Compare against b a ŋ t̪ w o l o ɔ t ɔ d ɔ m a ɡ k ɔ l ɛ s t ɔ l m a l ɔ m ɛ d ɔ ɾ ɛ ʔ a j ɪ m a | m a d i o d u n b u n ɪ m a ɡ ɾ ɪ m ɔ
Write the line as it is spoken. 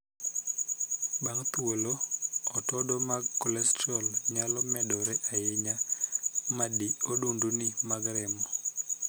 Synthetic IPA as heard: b a ŋ t̪ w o l o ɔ t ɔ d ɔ m a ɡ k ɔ l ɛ s t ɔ l ɲ a l ɔ m ɛ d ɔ ɾ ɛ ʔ a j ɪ ɲ a | m a d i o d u n d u n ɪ m a ɡ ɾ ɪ m ɔ